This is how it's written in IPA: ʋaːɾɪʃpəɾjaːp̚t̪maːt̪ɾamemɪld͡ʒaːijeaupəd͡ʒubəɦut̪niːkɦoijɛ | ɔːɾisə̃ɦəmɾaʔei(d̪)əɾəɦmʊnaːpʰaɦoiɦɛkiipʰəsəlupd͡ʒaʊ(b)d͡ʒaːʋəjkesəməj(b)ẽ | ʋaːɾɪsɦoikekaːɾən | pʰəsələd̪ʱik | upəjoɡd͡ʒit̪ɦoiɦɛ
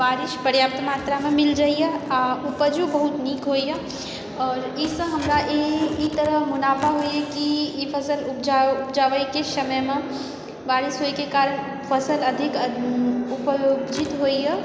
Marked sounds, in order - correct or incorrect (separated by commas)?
incorrect, incorrect, incorrect